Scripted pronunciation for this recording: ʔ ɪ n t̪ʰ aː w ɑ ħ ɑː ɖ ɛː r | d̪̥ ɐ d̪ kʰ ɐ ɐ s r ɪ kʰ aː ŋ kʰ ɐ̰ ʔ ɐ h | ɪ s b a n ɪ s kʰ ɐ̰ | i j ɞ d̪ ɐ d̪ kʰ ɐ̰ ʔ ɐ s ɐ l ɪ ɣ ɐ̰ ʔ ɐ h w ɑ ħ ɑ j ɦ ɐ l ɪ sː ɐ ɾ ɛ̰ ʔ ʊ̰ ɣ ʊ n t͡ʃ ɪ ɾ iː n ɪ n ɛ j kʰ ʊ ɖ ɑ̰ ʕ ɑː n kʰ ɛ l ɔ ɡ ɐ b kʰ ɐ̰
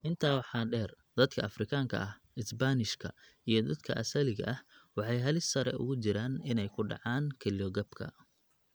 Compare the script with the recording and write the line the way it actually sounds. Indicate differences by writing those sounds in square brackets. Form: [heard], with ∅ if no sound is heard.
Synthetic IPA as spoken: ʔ ɪ n t̪ʰ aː w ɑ ħ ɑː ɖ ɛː r | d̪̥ ɐ d̪ kʰ ɐ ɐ [f] r ɪ kʰ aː ŋ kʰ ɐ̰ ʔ ɐ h | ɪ s b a n ɪ [ʃ] kʰ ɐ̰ | i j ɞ d̪ ɐ d̪ kʰ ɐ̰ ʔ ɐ s ɐ l ɪ ɣ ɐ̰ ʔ ɐ h w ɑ ħ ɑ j ɦ ɐ l ɪ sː ɐ ɾ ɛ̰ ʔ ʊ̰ ɣ ʊ [∅] t͡ʃ ɪ ɾ [aː] n ɪ n ɛ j kʰ ʊ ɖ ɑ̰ ʕ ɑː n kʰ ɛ l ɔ ɡ ɐ b kʰ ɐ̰